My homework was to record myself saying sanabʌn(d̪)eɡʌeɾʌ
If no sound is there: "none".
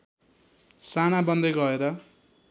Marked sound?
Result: d̪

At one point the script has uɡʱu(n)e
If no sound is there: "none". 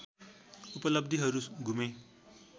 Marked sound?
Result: m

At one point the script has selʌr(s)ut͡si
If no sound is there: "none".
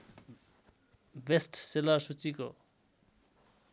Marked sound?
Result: s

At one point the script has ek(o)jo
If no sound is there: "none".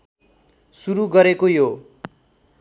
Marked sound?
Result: o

